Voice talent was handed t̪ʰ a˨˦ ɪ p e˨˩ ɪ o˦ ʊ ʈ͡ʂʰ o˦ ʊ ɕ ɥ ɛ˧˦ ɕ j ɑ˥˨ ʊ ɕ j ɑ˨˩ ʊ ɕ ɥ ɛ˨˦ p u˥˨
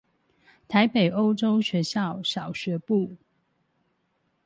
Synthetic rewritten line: t̪ʰ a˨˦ ɪ p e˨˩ ɪ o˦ ʊ ʈ͡ʂ o˦ ʊ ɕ ɥ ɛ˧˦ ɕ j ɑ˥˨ ʊ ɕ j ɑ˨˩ ʊ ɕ ɥ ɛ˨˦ p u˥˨